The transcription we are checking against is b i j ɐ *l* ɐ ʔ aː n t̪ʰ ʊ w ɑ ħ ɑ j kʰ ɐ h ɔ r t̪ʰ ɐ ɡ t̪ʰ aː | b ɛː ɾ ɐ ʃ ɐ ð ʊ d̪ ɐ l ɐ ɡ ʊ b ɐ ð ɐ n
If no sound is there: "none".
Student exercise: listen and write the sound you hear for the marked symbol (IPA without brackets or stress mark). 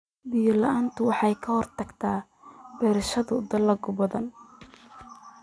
l